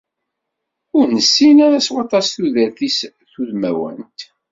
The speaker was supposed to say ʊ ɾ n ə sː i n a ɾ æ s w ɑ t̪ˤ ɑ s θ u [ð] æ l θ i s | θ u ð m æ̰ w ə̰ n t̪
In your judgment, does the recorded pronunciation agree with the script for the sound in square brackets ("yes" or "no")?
yes